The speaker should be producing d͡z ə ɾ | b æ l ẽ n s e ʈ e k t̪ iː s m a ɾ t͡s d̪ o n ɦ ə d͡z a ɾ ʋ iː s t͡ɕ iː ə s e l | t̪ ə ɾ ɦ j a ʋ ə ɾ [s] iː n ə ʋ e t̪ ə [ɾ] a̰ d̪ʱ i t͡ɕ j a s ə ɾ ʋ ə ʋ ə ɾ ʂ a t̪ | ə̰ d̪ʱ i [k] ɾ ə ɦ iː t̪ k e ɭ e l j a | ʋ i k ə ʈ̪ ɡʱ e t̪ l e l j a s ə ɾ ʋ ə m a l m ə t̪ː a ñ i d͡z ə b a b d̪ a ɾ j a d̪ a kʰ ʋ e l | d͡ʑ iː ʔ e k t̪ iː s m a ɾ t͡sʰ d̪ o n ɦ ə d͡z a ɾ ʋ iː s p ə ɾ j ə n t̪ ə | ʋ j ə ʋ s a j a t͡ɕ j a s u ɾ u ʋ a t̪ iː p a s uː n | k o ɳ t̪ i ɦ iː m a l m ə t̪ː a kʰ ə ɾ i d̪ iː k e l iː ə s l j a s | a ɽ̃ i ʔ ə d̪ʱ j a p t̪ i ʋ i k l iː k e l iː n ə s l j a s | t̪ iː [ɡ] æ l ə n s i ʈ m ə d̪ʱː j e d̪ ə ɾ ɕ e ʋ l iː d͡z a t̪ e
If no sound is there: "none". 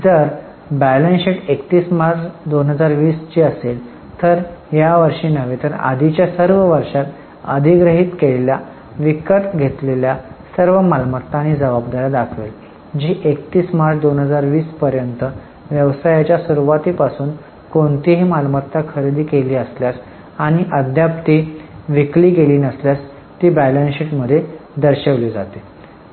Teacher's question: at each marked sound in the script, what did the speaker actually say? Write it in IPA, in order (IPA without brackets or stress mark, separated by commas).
ʂ, ɾ, ɡ, b